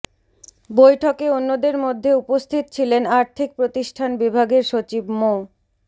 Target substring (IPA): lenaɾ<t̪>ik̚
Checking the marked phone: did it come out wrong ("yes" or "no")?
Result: yes